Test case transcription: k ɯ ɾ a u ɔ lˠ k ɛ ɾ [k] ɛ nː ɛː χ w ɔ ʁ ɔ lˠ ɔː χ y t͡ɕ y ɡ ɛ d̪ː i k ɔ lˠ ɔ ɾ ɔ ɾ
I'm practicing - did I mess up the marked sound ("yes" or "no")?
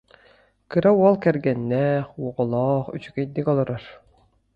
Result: yes